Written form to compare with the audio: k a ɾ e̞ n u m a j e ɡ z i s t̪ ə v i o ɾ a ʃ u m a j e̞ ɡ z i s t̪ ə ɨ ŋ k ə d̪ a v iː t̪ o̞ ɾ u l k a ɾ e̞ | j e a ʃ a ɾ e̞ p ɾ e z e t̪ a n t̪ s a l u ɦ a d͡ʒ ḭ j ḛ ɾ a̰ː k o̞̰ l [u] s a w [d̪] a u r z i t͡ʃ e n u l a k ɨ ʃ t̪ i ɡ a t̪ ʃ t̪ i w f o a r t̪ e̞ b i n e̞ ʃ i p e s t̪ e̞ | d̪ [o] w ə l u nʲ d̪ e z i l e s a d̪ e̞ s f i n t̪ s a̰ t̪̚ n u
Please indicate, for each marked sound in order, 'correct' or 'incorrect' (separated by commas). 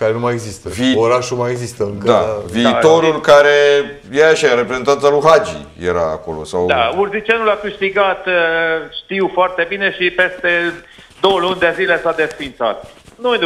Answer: incorrect, correct, correct